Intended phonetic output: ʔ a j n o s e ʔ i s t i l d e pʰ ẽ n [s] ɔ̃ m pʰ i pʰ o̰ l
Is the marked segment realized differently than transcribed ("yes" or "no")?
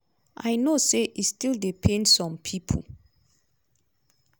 no